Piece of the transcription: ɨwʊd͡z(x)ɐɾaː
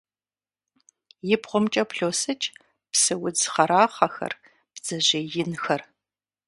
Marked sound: incorrect: χ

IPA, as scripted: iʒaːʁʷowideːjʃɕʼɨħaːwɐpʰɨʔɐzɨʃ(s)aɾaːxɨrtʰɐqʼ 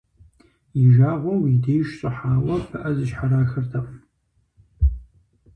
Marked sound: incorrect: ħ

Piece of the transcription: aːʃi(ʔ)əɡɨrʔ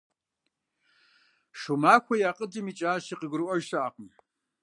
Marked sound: incorrect: q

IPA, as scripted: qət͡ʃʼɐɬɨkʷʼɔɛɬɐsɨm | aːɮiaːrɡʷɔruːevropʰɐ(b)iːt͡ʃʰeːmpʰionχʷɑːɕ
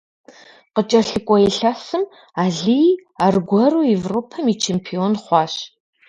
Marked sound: incorrect: m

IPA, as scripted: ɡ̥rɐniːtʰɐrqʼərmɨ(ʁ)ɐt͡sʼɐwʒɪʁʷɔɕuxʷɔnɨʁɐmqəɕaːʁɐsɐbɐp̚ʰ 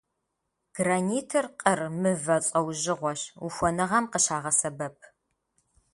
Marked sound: incorrect: v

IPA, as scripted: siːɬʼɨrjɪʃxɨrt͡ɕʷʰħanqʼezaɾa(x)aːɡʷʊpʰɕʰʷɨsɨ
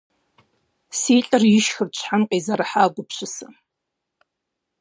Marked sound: incorrect: ħ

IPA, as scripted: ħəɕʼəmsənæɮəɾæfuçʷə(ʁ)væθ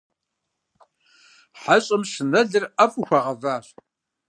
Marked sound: correct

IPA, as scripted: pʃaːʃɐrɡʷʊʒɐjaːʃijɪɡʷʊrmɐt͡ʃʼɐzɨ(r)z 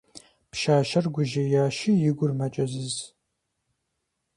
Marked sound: incorrect: none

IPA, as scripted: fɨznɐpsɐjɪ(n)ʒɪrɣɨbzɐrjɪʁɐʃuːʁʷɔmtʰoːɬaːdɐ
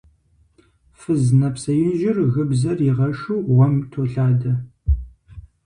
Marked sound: correct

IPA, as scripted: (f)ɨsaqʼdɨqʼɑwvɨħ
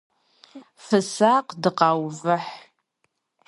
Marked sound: correct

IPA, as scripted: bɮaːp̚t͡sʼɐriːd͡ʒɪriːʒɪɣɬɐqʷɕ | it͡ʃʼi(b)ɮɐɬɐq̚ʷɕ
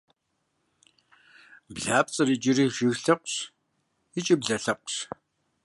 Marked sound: correct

